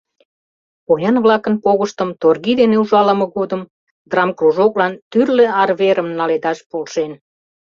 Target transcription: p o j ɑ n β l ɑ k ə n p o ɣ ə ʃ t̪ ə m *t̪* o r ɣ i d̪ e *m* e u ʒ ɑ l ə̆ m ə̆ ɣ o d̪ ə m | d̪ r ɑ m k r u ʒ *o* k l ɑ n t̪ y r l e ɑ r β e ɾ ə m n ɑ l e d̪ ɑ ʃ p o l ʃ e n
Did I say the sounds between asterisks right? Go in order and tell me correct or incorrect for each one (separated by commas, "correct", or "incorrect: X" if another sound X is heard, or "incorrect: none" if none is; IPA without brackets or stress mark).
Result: correct, incorrect: n, correct